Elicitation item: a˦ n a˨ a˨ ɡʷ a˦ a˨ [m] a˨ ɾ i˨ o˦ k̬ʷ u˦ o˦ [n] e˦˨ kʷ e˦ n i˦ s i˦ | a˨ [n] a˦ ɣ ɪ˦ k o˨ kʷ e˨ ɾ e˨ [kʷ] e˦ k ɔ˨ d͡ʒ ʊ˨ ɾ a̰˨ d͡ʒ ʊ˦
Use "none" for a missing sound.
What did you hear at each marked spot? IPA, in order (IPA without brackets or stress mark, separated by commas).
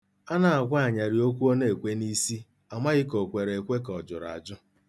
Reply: ɲ, n, m, kʷ